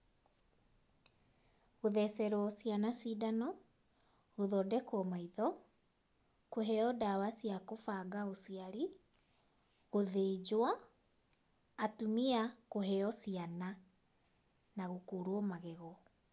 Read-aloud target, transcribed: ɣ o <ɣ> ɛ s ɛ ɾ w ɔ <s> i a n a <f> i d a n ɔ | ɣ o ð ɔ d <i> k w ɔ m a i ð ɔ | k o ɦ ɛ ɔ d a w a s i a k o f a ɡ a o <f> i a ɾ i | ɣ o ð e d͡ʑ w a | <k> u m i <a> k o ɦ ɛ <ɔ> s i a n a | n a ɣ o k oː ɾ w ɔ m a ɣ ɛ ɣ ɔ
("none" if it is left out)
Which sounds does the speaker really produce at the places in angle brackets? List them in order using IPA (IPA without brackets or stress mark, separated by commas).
ð, s, s, ɛ, s, t, a, ɔ